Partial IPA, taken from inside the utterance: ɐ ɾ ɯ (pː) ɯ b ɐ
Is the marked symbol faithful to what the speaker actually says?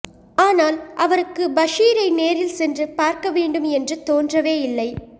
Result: no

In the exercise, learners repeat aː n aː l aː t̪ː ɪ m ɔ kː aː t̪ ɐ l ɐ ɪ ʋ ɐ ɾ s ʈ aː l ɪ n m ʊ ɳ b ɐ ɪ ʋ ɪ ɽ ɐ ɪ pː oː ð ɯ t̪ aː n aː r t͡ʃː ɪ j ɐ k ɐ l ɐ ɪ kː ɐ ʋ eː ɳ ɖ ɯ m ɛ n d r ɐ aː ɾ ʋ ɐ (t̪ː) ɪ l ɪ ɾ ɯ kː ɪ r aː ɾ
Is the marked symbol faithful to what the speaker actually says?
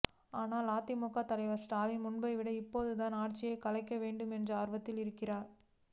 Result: yes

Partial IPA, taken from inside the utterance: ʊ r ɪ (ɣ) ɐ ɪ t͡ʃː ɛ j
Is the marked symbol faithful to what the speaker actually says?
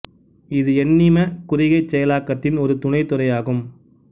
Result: yes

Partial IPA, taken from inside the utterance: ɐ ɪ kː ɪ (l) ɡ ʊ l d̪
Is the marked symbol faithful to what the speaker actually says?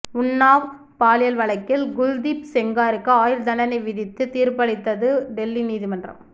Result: yes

